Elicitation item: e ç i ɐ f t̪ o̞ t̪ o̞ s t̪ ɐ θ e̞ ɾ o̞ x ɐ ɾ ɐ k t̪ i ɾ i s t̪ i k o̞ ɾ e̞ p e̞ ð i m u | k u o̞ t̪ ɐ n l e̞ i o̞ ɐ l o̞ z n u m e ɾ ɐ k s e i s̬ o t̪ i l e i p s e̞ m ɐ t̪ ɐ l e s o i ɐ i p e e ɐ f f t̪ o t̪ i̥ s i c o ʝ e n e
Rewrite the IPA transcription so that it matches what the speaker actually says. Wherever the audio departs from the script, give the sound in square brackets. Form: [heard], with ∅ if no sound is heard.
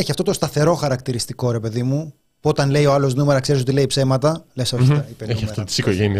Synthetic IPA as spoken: e ç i ɐ f t̪ o̞ t̪ o̞ s t̪ ɐ θ e̞ ɾ o̞ x ɐ ɾ ɐ k t̪ i ɾ i s t̪ i k o̞ ɾ e̞ p e̞ ð i m u | [p] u o̞ t̪ ɐ n l e̞ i o̞ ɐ l o̞ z n u m e ɾ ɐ k s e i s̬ o t̪ i l e i p s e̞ m ɐ t̪ ɐ l e s o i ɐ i p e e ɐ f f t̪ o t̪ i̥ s i [k] o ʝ e n [i]